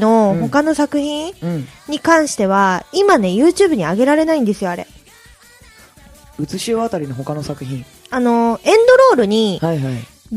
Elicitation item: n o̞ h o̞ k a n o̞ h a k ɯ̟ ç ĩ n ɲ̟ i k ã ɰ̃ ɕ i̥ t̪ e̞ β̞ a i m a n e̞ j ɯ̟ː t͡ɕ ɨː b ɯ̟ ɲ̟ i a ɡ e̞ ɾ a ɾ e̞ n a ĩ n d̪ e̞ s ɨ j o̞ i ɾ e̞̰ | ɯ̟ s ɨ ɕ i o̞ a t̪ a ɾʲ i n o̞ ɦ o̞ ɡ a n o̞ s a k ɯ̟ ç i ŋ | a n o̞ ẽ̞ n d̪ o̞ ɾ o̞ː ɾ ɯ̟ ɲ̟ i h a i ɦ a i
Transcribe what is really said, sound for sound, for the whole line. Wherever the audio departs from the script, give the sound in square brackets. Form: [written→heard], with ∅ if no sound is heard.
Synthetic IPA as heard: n o̞ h o̞ k a n o̞ [h→s] a k ɯ̟ ç ĩ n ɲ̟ i k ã ɰ̃ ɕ i̥ t̪ e̞ β̞ a i m a n e̞ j ɯ̟ː t͡ɕ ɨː b ɯ̟ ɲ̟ i a ɡ e̞ ɾ a ɾ e̞ n a ĩ n d̪ e̞ s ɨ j o̞ [i→a] ɾ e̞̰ | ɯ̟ [s→t͡s] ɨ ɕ i o̞ a t̪ a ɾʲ i n o̞ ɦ o̞ [ɡ→k] a n o̞ s a k ɯ̟ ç [i→ĩ] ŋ | a n o̞ ẽ̞ n d̪ o̞ ɾ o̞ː ɾ ɯ̟ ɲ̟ i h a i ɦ a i